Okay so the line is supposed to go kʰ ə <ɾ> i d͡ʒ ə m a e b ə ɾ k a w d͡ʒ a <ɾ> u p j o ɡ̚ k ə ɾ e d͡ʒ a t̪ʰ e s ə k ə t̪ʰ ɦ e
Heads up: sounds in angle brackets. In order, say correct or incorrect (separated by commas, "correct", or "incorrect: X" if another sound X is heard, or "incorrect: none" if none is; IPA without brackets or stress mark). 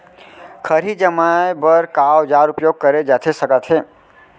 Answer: correct, correct